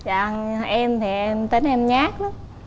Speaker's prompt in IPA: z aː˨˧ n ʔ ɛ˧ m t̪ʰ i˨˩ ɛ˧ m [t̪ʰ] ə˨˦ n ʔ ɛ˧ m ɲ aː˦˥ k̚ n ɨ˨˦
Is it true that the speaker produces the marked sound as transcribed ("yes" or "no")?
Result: no